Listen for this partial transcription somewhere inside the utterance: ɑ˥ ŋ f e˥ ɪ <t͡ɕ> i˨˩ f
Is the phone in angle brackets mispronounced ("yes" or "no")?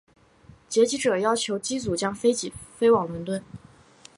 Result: no